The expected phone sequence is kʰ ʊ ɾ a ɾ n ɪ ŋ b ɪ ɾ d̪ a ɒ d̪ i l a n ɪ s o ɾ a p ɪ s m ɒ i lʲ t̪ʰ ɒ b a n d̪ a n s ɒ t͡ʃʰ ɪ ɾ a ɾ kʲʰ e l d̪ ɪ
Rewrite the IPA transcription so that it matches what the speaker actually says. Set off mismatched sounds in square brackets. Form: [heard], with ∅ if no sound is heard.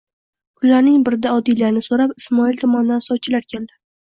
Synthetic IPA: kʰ ʊ [l] a ɾ n ɪ ŋ b ɪ ɾ d̪ a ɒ d̪ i l a n ɪ s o ɾ a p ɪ s m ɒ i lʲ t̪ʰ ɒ [m] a n d̪ a n s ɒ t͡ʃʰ ɪ [l] a ɾ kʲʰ e l d̪ ɪ